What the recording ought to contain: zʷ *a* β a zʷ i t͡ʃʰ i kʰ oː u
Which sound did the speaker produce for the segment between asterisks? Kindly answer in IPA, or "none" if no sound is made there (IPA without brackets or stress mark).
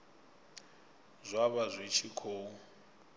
a